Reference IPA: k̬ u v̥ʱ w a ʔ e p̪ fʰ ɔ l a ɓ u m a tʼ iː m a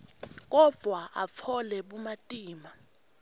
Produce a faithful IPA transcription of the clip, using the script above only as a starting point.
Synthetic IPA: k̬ ɔ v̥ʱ w a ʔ a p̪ fʰ ɔ l ɛ ɓ u m a tʼ iː m a